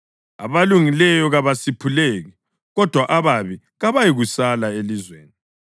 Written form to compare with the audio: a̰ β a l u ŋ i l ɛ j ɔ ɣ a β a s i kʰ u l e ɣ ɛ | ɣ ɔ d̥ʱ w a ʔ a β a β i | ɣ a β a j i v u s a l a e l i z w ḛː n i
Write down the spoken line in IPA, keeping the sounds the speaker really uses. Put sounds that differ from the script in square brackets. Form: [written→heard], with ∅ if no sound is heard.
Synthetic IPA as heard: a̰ β a l u ŋ i l ɛ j ɔ ɣ a β a s i [kʰ→pʰ] u l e ɣ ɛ | ɣ ɔ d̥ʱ w a ʔ a β a β i | ɣ a β a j i [v→ɣ] u s a l a e l i z w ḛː n i